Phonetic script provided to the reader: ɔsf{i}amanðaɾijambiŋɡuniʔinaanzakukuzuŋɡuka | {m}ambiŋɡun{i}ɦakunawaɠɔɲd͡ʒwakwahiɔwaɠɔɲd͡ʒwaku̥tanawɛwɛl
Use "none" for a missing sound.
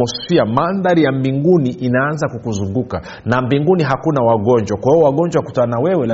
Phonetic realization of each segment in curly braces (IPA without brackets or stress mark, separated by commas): i, n, i